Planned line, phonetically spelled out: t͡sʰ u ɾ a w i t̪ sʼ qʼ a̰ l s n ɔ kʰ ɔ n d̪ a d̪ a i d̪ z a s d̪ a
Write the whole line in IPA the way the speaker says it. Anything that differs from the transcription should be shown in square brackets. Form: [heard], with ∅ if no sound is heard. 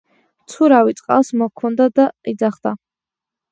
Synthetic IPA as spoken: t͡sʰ u ɾ a w i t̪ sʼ qʼ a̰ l s [m] ɔ kʰ ɔ n d̪ a d̪ a i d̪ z a [χ] d̪ a